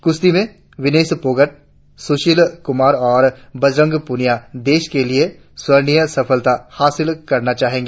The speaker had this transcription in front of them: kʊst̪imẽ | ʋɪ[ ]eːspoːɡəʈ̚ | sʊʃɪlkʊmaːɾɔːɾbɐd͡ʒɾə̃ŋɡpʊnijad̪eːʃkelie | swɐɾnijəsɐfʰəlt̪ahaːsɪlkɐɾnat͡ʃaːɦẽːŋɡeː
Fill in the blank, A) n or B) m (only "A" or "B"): A